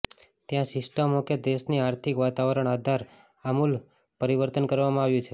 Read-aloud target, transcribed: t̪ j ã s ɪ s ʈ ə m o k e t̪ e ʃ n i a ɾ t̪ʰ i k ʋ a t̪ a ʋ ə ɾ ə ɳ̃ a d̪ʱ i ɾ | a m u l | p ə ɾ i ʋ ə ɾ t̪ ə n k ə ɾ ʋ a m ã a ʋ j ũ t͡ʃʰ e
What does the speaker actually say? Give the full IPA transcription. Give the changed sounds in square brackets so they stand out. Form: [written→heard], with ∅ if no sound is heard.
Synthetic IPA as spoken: t̪ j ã s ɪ s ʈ ə m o k e [t̪→d̪] e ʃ n i a ɾ t̪ʰ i k ʋ a t̪ a ʋ ə ɾ ə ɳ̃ a d̪ʱ [i→a] ɾ | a m u l | p ə ɾ i ʋ ə ɾ t̪ ə n k ə ɾ ʋ a m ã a ʋ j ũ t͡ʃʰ e